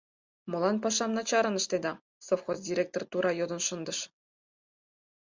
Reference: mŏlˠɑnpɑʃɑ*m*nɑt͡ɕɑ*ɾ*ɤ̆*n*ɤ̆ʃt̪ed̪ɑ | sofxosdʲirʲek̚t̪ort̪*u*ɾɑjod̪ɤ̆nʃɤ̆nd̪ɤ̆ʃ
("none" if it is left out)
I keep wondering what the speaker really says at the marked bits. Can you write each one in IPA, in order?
m, ɾ, n, u

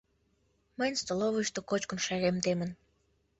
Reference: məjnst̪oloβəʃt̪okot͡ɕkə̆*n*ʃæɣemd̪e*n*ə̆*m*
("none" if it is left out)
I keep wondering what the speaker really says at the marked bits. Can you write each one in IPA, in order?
n, m, n

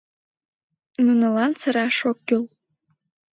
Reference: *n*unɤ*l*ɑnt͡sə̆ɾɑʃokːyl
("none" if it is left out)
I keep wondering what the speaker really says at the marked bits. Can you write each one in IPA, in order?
n, l

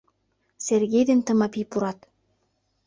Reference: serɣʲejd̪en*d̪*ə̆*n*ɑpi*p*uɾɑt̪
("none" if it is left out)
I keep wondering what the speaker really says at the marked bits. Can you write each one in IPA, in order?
t̪, m, p

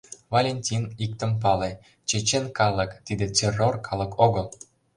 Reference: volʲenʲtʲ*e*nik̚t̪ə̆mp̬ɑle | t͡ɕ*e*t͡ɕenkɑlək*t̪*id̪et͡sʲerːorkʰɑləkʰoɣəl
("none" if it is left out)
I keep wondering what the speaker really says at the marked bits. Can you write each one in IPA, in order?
i, e, t̪

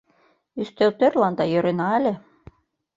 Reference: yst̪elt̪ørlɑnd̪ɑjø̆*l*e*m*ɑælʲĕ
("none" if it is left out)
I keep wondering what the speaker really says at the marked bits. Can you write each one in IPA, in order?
ɾ, n

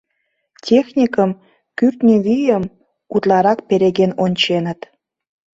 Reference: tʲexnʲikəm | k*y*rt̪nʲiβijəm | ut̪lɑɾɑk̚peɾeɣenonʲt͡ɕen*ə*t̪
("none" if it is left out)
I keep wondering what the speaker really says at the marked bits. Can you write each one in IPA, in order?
y, ə

